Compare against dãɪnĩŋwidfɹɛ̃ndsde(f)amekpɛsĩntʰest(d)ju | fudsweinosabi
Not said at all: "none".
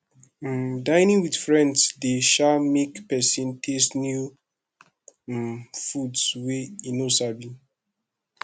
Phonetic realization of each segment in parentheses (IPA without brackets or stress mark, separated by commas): ʃ, n